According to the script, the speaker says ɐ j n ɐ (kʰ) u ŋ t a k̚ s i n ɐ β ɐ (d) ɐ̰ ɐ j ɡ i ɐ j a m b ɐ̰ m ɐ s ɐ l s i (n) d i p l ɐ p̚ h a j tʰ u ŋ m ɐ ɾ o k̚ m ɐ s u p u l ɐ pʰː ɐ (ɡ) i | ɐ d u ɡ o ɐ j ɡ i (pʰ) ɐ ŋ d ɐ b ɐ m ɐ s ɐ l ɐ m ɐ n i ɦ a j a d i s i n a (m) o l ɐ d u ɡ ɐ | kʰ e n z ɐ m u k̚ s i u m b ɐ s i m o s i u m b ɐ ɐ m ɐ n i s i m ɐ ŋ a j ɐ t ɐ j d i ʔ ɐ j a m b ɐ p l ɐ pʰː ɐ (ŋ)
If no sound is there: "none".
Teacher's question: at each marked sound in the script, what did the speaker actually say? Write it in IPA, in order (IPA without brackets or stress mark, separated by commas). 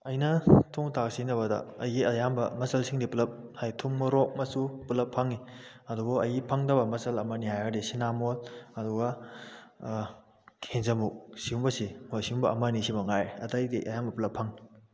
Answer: tʰ, d, ŋ, ŋ, pʰ, m, ŋ